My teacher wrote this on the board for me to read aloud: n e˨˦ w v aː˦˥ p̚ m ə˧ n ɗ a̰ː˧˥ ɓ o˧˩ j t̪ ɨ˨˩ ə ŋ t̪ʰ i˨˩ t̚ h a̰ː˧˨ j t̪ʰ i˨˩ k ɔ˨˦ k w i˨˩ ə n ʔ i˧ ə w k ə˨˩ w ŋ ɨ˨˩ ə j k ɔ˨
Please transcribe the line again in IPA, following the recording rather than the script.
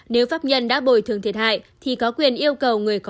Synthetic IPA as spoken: n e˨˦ w f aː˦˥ p̚ ɲ ə˧ n ɗ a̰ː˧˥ ɓ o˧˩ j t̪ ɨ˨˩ ə ŋ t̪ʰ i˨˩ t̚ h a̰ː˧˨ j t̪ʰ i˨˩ k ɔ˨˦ k w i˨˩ ə n ʔ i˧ ə w k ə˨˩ w ŋ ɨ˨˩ ə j k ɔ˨